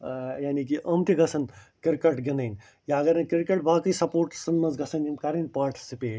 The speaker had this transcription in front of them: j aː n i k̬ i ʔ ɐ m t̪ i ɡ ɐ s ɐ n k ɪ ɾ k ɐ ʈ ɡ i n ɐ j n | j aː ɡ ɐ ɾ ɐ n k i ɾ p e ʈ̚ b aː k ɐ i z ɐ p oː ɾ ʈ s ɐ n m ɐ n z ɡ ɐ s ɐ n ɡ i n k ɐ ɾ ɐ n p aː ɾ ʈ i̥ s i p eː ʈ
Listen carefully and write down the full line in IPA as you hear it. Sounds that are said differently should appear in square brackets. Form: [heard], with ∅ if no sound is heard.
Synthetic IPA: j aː n i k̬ i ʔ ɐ m t̪ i ɡ ɐ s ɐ n k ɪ ɾ k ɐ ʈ ɡ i n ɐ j n | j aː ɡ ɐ ɾ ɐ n k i ɾ [k] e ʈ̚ b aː k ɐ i [s] ɐ p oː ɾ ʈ s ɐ n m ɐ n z ɡ ɐ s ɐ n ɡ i n k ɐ ɾ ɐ n p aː ɾ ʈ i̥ s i p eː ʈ